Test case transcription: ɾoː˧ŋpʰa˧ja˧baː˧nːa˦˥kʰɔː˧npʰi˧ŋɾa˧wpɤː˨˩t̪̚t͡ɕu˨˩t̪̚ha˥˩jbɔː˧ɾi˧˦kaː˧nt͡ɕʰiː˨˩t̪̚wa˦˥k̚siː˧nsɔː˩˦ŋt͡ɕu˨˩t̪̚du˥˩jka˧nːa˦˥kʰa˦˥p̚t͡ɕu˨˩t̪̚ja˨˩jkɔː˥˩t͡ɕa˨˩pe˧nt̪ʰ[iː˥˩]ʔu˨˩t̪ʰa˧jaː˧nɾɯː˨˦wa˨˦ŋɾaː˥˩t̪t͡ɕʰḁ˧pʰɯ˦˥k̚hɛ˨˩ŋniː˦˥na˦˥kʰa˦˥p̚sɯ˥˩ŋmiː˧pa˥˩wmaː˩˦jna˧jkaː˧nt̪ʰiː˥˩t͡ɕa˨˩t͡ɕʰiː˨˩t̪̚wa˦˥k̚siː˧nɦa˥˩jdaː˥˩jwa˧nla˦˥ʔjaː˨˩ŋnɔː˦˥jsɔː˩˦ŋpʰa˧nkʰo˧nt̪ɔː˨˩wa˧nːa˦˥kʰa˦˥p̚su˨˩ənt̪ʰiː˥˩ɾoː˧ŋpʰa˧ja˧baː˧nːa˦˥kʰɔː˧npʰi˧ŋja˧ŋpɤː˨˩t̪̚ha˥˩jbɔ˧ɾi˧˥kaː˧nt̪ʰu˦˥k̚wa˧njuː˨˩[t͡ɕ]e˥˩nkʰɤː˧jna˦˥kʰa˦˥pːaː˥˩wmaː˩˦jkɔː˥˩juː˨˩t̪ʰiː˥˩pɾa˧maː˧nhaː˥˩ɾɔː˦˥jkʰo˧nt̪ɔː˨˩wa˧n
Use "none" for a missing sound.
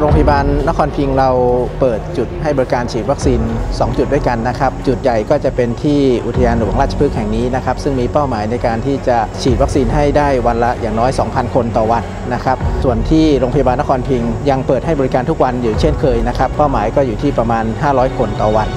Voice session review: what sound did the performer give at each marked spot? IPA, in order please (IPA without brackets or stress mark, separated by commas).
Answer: iː˥˩, t͡ɕʰ